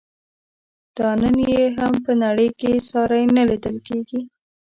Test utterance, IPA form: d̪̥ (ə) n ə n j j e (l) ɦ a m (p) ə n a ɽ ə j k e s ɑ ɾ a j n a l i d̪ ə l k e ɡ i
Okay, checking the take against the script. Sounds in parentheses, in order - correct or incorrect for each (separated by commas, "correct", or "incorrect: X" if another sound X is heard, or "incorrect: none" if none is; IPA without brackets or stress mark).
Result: incorrect: ɑ, incorrect: none, correct